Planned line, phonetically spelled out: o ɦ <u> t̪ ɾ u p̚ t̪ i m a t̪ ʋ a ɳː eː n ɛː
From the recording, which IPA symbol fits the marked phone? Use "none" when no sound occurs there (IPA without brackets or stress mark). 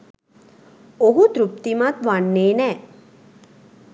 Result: u